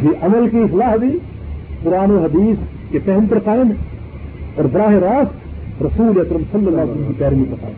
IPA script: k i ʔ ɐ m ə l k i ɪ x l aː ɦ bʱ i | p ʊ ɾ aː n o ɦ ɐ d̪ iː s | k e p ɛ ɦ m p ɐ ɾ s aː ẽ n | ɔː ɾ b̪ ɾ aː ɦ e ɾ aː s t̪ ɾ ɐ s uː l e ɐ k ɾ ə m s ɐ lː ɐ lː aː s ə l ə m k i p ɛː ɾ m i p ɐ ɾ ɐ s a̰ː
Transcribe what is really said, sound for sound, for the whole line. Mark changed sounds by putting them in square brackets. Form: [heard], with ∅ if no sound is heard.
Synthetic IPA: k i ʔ ɐ m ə l k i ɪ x l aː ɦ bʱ i | p ʊ ɾ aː n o ɦ ɐ d̪ iː s | k e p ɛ ɦ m p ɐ ɾ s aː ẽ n | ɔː ɾ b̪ ɾ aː ɦ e ɾ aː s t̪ ɾ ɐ s uː l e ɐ k ɾ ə m s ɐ lː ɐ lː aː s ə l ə m k i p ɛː ɾ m i p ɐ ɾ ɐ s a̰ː